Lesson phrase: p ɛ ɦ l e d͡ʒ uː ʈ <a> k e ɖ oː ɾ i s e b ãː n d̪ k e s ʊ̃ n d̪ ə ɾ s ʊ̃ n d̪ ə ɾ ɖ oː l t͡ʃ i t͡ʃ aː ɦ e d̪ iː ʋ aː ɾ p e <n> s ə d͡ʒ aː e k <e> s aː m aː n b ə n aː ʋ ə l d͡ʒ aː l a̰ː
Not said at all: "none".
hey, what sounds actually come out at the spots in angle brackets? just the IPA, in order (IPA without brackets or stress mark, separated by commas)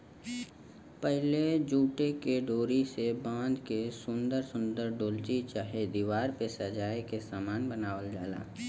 e, none, e